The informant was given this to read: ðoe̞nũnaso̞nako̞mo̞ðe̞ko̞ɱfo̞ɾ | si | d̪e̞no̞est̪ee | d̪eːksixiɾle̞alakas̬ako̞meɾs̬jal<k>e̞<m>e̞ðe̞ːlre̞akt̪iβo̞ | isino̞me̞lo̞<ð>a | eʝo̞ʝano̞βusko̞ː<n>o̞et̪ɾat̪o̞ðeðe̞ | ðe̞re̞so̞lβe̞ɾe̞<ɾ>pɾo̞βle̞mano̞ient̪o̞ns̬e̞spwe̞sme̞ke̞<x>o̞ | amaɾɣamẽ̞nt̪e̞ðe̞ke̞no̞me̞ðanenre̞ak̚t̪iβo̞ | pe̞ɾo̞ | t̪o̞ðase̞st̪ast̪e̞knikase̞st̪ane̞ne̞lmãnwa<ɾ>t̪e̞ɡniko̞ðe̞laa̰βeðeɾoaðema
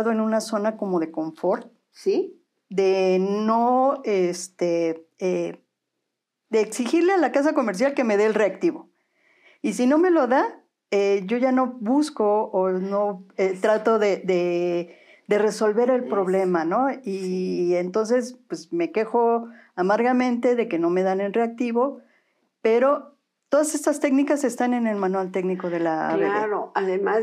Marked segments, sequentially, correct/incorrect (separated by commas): correct, correct, correct, correct, incorrect, correct, incorrect